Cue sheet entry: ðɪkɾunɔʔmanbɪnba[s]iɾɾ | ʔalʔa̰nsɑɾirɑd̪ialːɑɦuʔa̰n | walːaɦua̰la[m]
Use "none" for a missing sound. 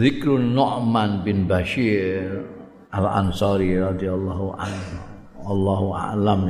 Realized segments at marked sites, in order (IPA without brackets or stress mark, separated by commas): ʃ, m